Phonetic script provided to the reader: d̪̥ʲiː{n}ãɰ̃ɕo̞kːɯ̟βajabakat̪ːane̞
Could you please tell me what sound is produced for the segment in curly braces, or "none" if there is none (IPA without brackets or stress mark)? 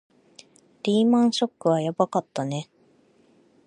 m